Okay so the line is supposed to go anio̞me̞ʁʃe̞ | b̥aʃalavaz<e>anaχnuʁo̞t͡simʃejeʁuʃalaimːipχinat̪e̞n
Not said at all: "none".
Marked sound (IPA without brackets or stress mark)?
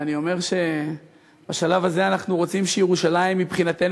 e